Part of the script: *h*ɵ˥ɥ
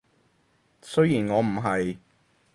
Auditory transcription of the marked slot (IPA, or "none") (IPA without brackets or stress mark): s